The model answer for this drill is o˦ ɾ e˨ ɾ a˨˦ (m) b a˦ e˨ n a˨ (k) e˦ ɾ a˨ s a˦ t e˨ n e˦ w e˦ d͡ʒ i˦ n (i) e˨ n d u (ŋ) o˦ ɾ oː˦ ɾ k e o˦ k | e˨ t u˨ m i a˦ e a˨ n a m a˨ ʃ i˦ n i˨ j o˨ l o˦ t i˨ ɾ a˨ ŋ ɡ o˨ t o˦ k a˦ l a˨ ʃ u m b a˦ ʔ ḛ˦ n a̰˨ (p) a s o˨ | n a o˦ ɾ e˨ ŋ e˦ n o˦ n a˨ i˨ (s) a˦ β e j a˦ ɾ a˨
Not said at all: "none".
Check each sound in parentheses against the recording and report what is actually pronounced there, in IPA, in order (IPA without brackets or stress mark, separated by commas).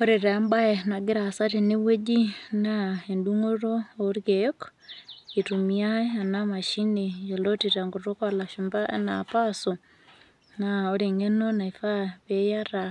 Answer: m, ɡ, a, ŋ, p, f